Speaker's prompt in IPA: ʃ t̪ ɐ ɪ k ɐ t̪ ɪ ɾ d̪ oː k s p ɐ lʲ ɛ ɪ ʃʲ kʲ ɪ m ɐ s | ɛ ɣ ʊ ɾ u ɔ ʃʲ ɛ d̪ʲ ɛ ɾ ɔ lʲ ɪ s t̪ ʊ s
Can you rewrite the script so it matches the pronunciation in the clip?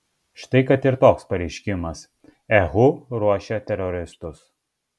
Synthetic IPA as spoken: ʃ t̪ ɐ ɪ k ɐ t̪ ɪ ɾ t̪ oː k s p ɐ ɾʲ ɛ ɪ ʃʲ kʲ ɪ m ɐ s | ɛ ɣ ʊ ɾ u ɔ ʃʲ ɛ t̪ʲ ɛ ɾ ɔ ɾʲ ɪ s t̪ ʊ s

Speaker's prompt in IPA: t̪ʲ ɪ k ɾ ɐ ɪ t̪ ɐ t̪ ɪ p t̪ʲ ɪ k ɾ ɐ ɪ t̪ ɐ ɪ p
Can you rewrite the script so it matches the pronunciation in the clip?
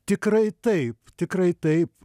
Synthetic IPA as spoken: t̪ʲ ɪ k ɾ ɐ ɪ t̪ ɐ ɪ p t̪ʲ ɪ k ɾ ɐ ɪ t̪ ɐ ɪ p

